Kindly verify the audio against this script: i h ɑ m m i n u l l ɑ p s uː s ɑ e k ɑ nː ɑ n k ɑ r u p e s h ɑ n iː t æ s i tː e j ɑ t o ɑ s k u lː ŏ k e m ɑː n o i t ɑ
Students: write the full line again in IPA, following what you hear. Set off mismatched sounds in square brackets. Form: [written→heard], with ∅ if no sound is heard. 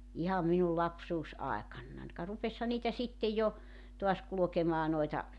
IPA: i h ɑ m m i n u l l ɑ p s uː s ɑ e k ɑ nː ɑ n k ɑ r u p e s h ɑ n iː t æ s i tː e j ɑ t o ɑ s k u [lː→l] ŏ k e m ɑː n o i t ɑ